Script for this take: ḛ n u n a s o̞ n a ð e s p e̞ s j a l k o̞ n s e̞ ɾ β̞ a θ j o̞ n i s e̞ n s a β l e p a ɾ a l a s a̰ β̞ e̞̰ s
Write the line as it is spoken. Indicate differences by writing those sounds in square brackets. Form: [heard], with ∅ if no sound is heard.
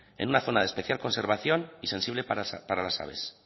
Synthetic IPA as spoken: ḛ n u n a [θ] o̞ n a ð e s p e̞ [θ] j a l k o̞ n s e̞ ɾ β̞ a θ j o̞ n i s e̞ n s [i] β l e p a ɾ a l a s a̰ β̞ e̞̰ s